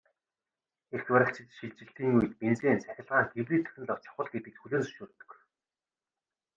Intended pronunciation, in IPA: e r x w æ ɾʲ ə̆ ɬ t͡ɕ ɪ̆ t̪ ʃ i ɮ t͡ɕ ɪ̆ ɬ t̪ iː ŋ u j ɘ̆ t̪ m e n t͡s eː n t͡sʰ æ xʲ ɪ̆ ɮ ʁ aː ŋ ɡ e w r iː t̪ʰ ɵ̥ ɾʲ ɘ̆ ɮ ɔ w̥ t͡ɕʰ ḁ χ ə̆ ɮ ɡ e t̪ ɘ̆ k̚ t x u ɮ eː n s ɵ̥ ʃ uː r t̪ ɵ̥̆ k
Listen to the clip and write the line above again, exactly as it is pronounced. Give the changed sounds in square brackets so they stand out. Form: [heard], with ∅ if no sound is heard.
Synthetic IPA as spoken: e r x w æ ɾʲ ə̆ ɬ t͡ɕ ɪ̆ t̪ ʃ i ɮ t͡ɕ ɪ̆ ɬ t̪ iː ŋ u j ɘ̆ t̪ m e n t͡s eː n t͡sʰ æ xʲ ɪ̆ ɮ ʁ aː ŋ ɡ e w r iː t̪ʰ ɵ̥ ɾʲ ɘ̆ ɮ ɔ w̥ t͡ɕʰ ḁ χ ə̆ ɮ ɡ e t̪ ɘ̆ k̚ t x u ɮ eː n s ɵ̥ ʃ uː r t̪ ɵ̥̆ k